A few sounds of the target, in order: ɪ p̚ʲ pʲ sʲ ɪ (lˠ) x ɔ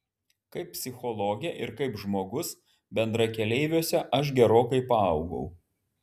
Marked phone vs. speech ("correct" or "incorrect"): incorrect